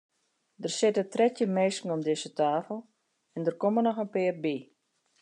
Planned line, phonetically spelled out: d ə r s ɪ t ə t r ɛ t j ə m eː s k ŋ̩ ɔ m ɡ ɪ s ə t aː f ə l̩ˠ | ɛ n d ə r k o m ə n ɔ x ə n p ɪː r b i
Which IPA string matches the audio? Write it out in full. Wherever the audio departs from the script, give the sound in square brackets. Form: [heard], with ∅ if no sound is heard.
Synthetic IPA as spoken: d ə r s ɪ t ə t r ɛ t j ə m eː s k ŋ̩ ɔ m [d] ɪ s ə t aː f ə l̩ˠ | ɛ n d ə r k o m ə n ɔ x ə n p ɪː r b i